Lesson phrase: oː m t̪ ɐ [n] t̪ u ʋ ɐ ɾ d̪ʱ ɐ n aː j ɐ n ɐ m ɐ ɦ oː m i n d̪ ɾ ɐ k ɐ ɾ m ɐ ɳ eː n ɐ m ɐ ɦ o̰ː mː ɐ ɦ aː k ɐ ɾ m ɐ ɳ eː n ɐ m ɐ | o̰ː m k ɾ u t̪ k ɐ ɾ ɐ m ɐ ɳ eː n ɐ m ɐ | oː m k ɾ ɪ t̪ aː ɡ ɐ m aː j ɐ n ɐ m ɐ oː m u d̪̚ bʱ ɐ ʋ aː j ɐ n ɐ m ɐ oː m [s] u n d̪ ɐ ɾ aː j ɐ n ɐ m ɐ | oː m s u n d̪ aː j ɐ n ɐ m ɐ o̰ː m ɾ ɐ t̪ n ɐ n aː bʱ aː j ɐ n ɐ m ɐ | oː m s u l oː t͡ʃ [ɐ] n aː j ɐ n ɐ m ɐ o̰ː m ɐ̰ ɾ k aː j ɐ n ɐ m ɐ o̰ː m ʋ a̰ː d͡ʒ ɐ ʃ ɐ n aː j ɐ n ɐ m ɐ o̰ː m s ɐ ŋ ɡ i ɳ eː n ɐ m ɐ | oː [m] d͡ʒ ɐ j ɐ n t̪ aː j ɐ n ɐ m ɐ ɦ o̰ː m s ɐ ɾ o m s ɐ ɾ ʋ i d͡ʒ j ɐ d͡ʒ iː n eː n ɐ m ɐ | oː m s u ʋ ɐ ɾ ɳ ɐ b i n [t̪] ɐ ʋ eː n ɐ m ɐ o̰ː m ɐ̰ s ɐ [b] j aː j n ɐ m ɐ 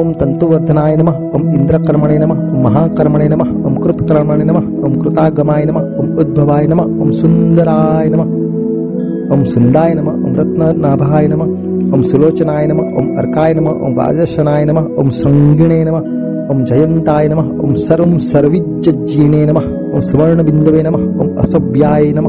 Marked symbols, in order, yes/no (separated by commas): yes, yes, yes, yes, no, yes